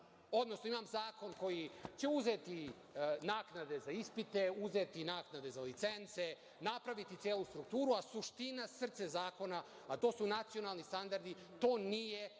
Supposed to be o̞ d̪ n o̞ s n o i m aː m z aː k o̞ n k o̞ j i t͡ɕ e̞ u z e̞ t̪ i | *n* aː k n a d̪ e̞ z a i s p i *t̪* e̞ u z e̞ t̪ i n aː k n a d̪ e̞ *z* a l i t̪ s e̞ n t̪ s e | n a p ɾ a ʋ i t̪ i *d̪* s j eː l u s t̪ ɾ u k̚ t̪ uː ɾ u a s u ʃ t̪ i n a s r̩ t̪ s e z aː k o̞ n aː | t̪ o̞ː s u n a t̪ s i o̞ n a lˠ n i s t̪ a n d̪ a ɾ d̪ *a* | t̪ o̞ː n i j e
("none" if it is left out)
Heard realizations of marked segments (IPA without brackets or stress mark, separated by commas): n, t̪, z, t̪, i